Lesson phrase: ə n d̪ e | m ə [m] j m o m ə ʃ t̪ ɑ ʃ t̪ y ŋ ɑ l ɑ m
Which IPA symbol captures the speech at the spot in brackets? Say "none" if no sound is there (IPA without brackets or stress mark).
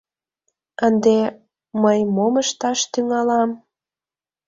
none